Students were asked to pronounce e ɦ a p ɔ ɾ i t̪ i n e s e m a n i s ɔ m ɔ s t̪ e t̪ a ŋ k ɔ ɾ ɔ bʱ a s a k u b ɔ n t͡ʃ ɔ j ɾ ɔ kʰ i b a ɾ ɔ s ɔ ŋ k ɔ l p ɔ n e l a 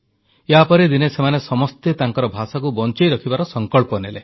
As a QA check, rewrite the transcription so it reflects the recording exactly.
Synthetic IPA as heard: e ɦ a p ɔ ɾ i d̪ i n e s e m a n e s ɔ m ɔ s t̪ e t̪ a ŋ k ɔ ɾ ɔ bʱ a s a k u b ɔ n t͡ʃ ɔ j ɾ ɔ kʰ i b a ɾ ɔ s ɔ ŋ k ɔ ɭ p ɔ n e l e